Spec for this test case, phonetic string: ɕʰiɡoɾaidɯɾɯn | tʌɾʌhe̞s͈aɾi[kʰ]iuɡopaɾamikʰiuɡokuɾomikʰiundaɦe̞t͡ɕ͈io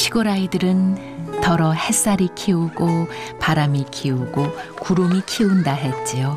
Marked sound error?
no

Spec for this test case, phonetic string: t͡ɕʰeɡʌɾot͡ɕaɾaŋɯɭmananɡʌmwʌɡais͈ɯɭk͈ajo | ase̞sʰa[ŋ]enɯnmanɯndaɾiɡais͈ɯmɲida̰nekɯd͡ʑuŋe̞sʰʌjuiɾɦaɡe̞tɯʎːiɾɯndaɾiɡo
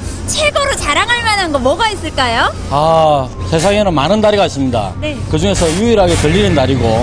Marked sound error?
no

